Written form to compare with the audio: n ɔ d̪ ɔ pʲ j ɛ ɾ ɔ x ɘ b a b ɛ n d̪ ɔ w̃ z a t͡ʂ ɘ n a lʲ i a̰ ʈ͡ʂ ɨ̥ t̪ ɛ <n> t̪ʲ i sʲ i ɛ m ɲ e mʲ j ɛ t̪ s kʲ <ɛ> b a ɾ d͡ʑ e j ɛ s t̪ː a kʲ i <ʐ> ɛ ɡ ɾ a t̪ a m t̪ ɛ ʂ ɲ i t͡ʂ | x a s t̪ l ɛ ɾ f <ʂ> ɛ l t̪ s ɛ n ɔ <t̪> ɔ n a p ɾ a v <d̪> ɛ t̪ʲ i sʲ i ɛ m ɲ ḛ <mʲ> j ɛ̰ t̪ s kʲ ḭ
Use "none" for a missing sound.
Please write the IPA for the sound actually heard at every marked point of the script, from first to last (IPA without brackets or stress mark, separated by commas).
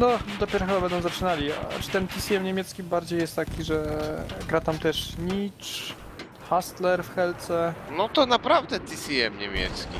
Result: n, i, ʐ, x, t̪, d̪, mʲ